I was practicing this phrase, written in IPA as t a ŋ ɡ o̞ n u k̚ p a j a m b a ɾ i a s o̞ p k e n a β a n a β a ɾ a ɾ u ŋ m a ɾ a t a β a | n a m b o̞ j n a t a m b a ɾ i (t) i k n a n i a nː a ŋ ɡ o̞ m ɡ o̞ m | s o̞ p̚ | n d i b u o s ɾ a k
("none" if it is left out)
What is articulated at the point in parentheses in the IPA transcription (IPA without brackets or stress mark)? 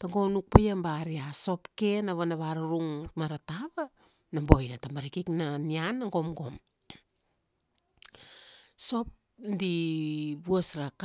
k